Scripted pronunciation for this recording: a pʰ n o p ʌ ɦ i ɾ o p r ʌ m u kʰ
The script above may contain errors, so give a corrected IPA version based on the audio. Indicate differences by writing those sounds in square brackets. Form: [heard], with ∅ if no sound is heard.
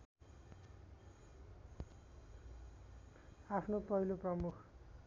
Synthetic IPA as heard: a pʰ n o p ʌ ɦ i [l] o p r ʌ m u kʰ